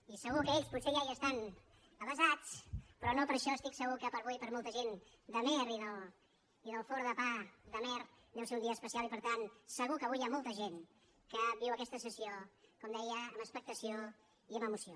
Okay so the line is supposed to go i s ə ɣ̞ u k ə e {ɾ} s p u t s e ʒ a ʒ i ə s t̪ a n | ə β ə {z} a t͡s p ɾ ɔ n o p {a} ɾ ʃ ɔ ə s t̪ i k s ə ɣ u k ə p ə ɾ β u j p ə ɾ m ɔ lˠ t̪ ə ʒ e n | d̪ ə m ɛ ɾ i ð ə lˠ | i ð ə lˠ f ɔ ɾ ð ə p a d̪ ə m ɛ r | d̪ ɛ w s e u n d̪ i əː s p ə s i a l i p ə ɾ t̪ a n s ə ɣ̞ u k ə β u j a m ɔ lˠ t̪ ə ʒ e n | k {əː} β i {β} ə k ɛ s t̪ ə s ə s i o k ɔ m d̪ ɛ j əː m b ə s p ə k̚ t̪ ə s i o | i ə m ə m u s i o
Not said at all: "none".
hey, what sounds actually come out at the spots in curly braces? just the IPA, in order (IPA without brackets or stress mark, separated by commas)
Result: ʎ, z, ə, ə, w